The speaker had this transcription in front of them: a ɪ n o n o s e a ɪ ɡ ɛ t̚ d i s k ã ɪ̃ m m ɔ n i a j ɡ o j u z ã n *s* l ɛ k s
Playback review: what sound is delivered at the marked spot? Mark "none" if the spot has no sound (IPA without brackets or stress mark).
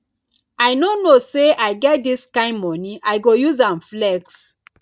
f